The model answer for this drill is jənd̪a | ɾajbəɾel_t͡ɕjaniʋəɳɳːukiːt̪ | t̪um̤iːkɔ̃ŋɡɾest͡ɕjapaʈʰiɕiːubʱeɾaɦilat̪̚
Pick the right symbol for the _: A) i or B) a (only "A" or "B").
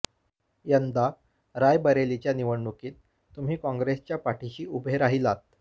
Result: A